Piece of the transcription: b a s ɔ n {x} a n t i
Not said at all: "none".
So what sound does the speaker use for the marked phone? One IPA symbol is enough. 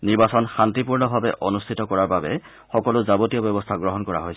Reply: x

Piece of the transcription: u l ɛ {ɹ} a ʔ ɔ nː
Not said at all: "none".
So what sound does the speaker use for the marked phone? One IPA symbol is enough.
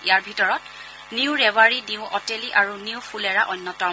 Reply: ɹ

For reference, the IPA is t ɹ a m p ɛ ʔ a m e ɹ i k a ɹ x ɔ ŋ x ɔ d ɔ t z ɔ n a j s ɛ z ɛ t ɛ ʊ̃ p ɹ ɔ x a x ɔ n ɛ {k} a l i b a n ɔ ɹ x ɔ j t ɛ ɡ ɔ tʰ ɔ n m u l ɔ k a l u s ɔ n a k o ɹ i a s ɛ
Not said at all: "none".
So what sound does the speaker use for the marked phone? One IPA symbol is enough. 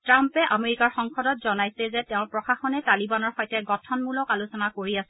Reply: t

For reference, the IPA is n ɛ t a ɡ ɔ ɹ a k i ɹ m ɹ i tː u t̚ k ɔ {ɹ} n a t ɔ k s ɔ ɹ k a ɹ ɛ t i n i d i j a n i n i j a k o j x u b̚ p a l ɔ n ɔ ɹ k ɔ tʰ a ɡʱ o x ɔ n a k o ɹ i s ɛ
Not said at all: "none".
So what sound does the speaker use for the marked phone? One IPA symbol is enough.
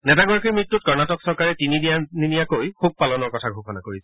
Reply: ɹ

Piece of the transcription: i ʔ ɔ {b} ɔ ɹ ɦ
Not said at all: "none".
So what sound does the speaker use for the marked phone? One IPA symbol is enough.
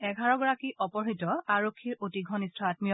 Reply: p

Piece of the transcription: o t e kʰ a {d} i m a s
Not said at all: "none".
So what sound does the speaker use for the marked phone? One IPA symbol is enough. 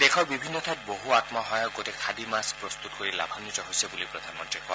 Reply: d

